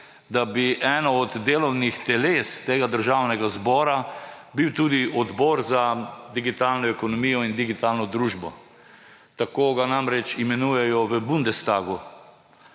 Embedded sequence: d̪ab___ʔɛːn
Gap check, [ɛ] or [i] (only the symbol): i